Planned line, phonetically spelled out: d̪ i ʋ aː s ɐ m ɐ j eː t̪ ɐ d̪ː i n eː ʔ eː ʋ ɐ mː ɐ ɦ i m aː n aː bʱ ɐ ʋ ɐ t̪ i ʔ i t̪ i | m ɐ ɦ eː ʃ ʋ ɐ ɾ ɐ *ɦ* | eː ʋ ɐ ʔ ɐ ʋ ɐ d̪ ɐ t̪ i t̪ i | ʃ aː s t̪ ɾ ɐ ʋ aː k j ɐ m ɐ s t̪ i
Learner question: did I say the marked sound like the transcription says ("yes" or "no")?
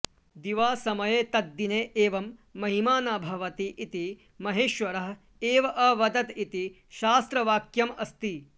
yes